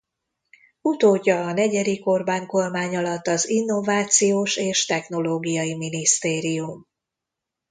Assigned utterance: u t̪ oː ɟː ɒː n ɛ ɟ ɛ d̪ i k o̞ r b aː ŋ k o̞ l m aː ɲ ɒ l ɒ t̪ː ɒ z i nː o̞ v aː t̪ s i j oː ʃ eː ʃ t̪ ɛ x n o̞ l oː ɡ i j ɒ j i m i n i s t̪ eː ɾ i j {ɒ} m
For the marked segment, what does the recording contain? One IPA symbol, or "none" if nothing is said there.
u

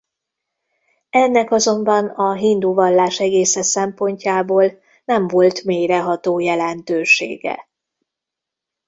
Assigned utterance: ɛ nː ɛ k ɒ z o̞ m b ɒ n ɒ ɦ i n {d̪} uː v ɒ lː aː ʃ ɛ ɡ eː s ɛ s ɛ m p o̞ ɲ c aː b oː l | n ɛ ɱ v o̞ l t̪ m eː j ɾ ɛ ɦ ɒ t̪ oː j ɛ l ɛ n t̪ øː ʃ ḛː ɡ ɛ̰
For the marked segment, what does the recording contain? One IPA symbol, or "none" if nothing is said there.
d̪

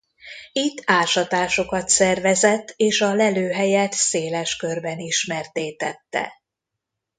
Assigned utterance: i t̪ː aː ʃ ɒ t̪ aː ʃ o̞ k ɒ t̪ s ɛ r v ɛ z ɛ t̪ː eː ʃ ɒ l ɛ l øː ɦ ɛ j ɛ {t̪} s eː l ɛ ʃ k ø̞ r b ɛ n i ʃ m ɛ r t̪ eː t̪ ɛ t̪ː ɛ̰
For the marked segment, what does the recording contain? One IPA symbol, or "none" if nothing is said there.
t̪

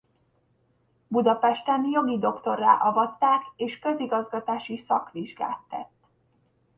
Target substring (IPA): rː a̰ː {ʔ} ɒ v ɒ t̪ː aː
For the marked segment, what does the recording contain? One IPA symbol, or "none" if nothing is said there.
ʔ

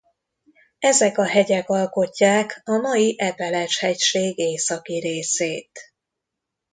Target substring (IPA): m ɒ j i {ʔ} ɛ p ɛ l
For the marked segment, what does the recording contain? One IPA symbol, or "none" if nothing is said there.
ʔ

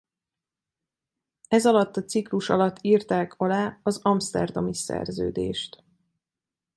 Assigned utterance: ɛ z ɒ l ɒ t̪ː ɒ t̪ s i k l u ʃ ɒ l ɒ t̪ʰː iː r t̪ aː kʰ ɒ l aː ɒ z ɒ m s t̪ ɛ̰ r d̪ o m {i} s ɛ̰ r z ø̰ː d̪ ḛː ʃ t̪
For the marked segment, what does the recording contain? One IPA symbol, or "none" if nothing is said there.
i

